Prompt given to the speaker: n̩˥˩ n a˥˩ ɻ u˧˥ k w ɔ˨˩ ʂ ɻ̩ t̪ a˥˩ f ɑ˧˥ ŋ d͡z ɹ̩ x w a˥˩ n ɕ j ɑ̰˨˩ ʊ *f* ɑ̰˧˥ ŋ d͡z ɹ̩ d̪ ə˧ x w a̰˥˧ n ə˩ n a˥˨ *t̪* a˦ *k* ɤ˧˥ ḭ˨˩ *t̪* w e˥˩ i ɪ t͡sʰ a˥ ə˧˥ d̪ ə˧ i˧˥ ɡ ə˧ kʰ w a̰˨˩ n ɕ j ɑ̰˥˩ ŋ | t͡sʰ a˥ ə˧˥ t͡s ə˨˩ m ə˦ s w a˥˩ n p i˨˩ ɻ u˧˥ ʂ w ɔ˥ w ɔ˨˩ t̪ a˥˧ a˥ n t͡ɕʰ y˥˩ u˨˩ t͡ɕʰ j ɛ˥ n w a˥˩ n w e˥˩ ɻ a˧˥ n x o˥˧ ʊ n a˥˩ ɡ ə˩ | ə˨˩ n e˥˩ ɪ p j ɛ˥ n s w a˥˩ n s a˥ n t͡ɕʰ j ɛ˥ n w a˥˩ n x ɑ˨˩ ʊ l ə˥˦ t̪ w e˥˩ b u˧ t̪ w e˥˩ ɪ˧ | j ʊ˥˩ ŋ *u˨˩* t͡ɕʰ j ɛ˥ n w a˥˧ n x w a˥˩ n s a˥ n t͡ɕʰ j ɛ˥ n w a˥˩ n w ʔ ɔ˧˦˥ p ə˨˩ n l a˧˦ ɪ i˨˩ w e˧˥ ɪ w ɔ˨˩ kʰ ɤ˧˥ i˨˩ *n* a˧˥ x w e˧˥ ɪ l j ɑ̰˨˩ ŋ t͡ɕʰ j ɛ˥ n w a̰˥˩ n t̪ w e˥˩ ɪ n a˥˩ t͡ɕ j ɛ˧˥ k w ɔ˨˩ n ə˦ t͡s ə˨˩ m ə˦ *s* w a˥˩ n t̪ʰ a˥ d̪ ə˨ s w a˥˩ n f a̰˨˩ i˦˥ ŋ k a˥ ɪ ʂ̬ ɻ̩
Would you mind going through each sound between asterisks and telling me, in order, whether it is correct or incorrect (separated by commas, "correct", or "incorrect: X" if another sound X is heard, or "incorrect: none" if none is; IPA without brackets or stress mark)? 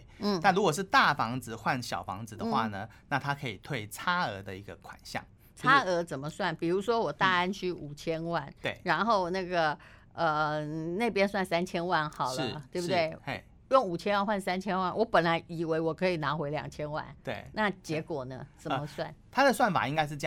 correct, incorrect: t̪ʰ, incorrect: kʰ, incorrect: t̪ʰ, correct, correct, correct